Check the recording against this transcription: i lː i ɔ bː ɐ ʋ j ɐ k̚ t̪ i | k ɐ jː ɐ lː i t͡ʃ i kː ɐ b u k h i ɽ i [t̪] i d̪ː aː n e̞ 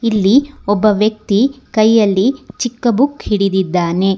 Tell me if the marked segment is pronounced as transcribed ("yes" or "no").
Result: no